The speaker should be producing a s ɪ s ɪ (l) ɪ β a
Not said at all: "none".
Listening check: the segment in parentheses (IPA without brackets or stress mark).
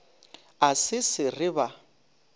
r